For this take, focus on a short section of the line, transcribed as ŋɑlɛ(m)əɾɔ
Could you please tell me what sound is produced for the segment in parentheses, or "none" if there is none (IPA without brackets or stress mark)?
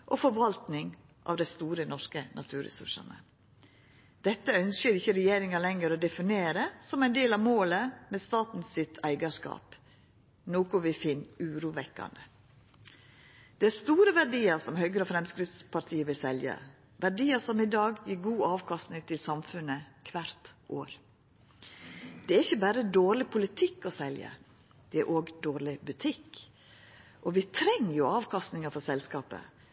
ŋ